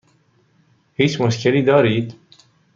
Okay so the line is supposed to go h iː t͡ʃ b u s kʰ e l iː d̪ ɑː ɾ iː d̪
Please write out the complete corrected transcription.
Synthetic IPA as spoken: h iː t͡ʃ m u ʃ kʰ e l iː d̪ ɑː ɾ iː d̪